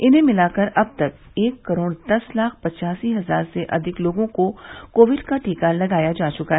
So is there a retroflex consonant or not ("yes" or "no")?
yes